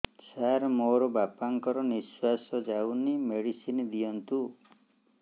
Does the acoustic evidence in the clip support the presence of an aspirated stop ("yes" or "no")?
no